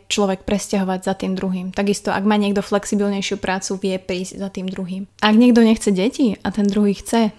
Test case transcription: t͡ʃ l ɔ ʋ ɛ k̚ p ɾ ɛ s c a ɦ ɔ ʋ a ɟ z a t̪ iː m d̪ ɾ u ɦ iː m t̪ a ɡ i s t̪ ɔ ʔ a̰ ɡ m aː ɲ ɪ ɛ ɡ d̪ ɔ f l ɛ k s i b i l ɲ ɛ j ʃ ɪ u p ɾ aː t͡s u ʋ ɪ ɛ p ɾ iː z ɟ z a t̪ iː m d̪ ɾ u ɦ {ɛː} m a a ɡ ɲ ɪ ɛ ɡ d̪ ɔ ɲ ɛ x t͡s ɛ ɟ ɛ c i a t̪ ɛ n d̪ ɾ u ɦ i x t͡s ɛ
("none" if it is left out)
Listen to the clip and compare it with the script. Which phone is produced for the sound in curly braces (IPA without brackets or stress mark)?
iː